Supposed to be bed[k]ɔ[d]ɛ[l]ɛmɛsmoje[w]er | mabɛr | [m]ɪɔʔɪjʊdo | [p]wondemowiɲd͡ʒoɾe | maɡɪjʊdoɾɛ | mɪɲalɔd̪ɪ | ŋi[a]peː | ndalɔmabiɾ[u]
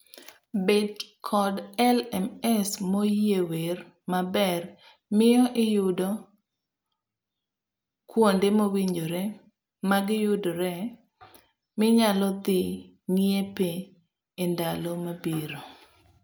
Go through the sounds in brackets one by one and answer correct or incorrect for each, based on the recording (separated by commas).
incorrect, correct, correct, correct, correct, incorrect, incorrect, incorrect